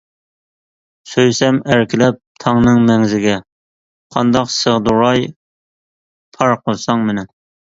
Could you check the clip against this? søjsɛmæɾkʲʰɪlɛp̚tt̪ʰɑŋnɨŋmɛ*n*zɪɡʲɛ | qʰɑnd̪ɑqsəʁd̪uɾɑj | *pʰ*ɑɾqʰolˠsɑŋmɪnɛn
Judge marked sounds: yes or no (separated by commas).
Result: no, yes